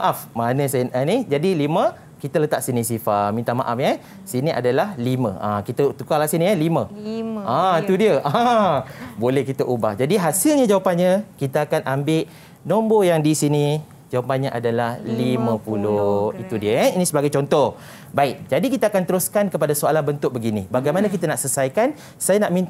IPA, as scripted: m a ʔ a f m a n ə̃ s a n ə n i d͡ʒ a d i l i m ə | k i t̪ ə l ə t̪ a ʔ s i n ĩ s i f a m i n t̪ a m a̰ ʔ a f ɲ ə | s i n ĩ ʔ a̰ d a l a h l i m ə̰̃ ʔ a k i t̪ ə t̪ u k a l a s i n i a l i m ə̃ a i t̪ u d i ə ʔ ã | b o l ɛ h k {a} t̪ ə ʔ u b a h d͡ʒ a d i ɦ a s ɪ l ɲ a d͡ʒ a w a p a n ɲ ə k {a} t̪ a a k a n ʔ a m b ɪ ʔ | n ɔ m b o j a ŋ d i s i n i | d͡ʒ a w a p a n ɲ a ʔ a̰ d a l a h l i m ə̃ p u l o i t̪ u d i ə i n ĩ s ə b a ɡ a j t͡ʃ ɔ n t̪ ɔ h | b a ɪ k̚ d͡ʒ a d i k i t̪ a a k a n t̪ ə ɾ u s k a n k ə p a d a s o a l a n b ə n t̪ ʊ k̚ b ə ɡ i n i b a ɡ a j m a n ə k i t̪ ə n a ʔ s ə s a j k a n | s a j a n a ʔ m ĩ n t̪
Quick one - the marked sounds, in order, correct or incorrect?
incorrect, incorrect

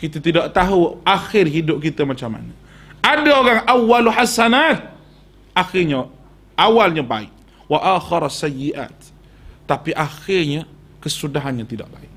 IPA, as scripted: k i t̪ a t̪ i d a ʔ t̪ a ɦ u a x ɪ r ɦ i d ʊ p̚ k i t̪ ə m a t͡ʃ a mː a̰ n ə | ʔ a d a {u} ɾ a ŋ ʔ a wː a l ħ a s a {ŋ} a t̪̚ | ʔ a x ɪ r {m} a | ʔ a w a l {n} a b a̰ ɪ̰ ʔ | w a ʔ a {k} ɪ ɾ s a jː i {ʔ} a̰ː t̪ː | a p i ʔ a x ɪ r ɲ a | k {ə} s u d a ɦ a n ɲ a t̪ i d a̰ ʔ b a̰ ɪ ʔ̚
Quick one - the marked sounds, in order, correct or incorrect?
incorrect, incorrect, incorrect, incorrect, incorrect, correct, correct

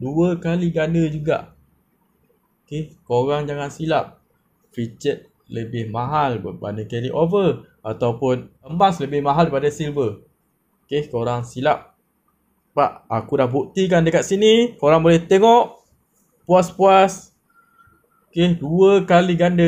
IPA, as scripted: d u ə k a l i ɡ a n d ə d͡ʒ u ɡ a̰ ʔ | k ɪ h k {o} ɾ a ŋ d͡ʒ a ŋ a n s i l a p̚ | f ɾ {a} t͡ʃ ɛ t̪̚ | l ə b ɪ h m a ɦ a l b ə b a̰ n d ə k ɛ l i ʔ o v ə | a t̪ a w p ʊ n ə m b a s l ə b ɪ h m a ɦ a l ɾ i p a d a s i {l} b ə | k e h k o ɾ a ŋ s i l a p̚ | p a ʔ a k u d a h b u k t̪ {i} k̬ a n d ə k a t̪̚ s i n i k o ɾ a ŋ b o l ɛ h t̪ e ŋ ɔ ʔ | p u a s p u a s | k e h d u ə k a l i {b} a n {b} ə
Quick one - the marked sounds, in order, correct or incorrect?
correct, incorrect, correct, correct, incorrect, incorrect

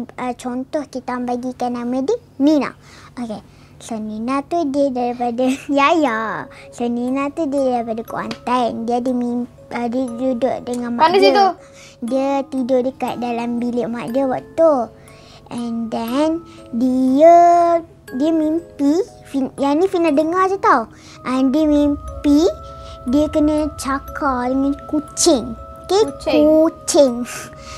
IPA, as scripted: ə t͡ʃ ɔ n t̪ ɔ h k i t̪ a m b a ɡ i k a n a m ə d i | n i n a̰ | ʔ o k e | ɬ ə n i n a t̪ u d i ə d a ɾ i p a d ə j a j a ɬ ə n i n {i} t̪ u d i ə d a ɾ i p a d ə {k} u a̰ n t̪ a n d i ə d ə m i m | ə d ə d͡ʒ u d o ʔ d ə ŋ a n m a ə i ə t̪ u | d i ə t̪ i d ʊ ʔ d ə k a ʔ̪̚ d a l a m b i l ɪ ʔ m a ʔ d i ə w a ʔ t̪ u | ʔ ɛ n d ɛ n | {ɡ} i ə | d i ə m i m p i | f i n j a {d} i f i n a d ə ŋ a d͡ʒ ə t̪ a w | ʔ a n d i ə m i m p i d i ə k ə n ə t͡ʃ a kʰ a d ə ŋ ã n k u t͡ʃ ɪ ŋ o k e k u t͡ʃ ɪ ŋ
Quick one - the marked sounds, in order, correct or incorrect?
incorrect, correct, incorrect, incorrect

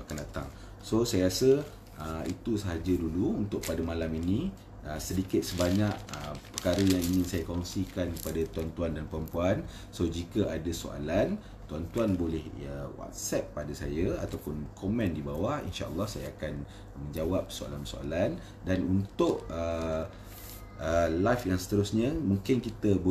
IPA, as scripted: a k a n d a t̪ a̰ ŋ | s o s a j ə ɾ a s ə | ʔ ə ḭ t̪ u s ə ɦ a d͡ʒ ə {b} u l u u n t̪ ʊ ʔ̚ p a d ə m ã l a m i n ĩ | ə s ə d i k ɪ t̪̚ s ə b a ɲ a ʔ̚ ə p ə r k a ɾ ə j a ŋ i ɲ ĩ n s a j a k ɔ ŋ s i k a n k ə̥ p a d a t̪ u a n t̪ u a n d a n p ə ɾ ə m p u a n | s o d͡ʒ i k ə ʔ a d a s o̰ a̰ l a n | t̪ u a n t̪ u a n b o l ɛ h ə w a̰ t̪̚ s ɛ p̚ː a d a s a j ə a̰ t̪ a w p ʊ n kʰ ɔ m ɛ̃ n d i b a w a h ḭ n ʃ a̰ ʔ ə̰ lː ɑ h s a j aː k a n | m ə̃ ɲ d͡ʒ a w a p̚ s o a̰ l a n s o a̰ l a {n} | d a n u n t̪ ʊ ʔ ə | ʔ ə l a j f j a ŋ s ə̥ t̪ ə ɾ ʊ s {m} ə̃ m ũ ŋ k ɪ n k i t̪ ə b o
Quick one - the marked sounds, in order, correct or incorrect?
incorrect, correct, incorrect

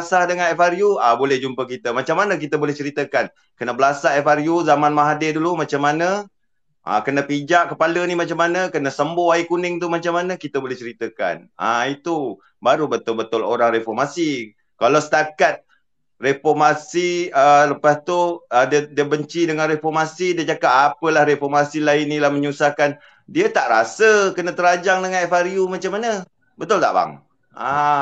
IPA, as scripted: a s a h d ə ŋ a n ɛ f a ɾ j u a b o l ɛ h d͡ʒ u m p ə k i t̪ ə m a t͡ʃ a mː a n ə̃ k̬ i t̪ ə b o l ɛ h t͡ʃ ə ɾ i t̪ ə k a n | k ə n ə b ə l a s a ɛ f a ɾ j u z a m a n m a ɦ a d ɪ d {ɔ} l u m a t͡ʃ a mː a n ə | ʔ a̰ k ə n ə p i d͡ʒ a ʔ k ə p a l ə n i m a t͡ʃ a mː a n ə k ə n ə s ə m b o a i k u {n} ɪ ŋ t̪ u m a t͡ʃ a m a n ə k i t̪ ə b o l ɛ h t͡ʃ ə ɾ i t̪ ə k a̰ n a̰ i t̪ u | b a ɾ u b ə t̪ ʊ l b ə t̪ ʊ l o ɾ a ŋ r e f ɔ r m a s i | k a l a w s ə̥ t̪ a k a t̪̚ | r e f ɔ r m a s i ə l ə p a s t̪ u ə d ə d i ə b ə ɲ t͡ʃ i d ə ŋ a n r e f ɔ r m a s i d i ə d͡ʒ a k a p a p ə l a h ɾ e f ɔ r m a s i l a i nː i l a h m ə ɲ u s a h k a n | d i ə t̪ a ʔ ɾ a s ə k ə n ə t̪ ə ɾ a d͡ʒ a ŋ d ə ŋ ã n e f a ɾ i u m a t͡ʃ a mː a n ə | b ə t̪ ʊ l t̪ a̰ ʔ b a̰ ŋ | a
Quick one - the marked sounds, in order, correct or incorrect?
incorrect, correct

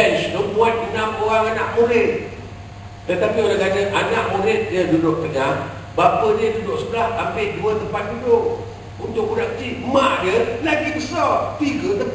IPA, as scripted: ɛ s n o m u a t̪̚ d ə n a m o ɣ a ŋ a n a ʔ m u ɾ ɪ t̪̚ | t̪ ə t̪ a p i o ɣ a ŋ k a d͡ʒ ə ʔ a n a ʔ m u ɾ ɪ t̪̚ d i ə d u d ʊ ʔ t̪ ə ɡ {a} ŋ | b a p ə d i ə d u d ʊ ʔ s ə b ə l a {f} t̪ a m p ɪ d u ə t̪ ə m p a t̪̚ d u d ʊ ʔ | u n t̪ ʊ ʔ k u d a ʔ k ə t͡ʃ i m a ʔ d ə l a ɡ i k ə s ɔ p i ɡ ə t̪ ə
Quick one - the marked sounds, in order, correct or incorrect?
correct, incorrect

